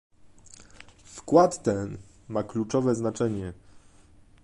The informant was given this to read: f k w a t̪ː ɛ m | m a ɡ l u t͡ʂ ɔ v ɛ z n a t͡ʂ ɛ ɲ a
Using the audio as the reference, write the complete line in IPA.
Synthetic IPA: f k w a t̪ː ɛ n | m a k l u t͡ʂ ɔ v ɛ z n a t͡ʂ ɛ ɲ ɛ